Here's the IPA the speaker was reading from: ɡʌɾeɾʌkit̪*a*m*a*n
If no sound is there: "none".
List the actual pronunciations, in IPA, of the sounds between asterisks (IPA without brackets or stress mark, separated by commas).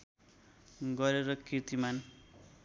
i, a